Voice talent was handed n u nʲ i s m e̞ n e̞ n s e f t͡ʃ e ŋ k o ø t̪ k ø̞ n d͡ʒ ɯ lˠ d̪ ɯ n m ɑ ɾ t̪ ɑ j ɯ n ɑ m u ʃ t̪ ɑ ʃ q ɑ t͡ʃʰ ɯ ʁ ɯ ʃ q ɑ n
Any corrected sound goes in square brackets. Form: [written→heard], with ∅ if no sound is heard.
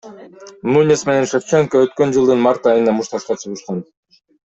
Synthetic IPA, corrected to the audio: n u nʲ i s m e̞ n e̞ n [s→ʃ] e f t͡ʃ e ŋ k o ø t̪ k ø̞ n d͡ʒ ɯ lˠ d̪ ɯ n m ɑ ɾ t̪ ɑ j ɯ n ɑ m u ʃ t̪ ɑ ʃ q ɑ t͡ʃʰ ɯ ʁ ɯ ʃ q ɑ n